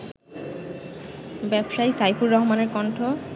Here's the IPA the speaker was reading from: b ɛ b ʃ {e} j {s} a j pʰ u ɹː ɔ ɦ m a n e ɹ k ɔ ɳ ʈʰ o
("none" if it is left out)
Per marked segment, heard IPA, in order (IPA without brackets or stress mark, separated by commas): a, s